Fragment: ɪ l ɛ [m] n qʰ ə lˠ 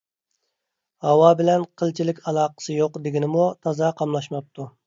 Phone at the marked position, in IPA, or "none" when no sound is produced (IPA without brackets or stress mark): none